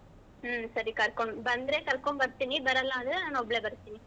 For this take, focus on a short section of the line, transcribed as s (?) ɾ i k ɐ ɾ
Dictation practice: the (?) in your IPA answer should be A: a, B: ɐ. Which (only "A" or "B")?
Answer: B